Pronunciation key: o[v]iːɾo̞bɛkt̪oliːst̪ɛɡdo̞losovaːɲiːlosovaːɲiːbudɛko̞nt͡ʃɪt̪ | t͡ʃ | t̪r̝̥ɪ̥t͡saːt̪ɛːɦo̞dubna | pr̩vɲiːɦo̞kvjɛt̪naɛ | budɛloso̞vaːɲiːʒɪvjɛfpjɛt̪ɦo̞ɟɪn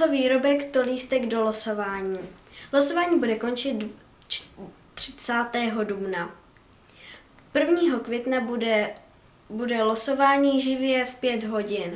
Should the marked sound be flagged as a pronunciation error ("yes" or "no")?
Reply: no